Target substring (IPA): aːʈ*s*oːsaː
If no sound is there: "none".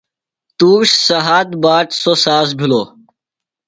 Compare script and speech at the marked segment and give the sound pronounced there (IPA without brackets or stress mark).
s